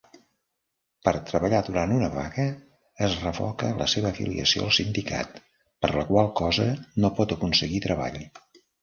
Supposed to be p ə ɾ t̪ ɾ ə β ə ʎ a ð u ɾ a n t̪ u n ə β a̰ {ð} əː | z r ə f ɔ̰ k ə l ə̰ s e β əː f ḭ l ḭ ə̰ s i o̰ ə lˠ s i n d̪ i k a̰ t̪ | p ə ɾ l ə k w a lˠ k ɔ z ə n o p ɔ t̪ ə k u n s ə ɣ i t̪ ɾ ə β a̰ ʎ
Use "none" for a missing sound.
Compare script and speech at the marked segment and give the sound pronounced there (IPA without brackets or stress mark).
ɣ